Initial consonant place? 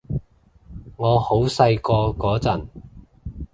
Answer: velar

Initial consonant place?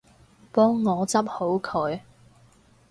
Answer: labial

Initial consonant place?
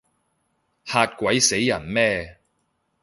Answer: glottal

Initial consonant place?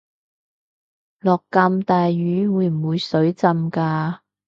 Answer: alveolar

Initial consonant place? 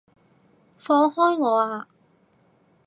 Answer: labial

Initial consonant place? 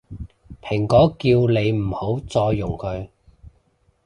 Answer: labial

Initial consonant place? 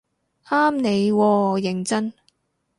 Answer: labial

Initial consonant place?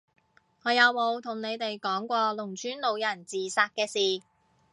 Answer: velar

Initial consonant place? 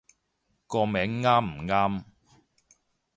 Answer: velar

